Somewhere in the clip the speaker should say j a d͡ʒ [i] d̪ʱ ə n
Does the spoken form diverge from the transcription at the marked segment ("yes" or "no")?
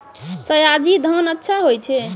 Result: no